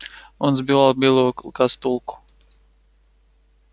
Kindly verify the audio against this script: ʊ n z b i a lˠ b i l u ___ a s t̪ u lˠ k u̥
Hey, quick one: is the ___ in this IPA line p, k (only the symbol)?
k